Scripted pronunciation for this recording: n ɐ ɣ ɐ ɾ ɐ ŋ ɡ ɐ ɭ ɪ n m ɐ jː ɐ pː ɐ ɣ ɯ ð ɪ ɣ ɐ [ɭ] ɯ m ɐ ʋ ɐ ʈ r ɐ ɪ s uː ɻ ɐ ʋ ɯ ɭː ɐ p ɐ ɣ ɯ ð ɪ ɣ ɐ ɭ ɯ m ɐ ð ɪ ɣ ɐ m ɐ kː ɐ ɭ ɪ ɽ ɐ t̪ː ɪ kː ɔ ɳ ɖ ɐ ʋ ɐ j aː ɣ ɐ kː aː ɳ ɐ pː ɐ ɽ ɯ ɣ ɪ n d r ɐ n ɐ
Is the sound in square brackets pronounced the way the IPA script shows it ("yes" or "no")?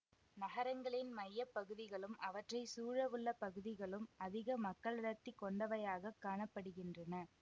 yes